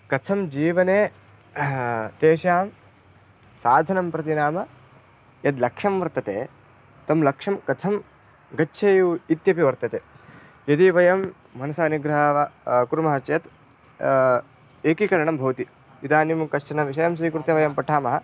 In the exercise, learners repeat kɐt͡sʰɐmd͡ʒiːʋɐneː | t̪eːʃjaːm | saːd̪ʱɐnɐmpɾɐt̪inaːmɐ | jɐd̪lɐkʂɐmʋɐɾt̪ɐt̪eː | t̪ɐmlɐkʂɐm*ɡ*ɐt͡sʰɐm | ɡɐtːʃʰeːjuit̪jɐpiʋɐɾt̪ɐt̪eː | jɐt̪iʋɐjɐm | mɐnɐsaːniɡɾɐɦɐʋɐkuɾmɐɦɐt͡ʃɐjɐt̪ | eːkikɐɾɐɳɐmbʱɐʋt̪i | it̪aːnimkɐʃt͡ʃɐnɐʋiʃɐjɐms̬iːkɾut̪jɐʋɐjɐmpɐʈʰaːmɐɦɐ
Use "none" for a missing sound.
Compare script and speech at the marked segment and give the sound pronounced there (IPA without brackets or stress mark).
k